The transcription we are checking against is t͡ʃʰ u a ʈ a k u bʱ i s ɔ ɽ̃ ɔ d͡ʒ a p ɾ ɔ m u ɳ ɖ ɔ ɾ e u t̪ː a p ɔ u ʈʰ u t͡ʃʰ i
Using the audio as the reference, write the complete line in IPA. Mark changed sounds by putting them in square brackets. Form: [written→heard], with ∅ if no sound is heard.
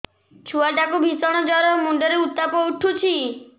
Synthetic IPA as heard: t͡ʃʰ u a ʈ a k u bʱ i s ɔ ɽ̃ ɔ d͡ʒ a [p→∅] ɾ ɔ m u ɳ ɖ ɔ ɾ e u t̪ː a p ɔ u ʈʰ u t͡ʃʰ i